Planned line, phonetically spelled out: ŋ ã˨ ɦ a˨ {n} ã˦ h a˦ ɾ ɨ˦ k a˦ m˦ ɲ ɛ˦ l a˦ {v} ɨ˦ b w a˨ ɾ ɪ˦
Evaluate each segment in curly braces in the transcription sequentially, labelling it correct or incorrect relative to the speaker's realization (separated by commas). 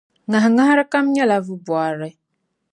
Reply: incorrect, correct